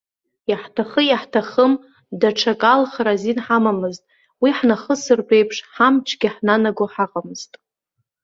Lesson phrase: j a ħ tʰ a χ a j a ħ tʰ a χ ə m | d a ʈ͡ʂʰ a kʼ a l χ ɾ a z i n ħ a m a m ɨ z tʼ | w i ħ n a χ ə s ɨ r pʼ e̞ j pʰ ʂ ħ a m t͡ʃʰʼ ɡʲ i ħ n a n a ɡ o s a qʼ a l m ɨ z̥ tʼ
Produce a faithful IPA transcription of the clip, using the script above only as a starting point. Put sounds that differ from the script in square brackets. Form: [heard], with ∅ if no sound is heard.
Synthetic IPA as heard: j a ħ tʰ a χ [ə] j a ħ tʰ a χ ə m | d a ʈ͡ʂʰ a kʼ a l χ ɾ a z i n ħ a m a m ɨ z tʼ | w i ħ n a χ ə s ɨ r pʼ e̞ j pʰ ʂ ħ a m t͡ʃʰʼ ɡʲ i ħ n a n a ɡ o [ħ] a qʼ a [∅] m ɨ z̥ tʼ